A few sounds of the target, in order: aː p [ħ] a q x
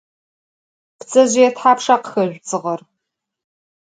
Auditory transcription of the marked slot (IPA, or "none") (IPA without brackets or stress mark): ʂ